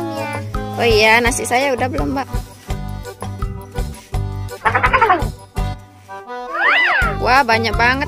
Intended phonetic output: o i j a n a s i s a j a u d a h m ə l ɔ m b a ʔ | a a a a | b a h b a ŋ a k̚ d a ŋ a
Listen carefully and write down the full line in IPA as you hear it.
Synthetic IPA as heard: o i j a n a s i s a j a u d a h b ə l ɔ m b a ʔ | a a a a | w a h b a ɲ a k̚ b a ŋ ə